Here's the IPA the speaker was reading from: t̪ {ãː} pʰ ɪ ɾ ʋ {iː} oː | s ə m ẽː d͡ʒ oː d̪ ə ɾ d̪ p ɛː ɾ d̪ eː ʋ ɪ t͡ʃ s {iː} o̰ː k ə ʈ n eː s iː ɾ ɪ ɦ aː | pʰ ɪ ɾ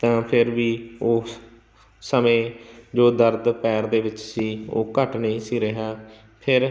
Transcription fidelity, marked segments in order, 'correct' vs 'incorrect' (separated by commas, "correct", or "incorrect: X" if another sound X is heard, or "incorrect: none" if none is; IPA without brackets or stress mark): correct, correct, correct